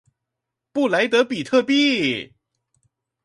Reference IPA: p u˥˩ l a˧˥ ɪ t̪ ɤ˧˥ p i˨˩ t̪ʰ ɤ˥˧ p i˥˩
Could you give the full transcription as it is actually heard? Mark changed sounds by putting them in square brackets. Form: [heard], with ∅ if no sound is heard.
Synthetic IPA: p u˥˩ l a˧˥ ɪ t̪ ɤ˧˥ p i˨˩ t̪ʰ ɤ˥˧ p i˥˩